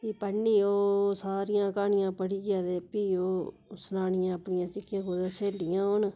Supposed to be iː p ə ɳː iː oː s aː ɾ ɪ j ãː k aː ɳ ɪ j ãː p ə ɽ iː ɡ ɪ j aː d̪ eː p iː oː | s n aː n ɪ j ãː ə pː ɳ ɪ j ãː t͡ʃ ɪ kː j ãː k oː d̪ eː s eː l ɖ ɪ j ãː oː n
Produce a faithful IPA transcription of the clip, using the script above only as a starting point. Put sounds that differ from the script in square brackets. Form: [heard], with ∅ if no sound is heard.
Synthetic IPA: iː p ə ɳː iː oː s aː ɾ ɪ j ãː k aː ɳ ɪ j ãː p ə ɽ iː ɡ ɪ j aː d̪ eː p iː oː | s n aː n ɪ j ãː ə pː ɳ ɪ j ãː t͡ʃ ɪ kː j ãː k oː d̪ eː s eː l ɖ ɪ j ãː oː n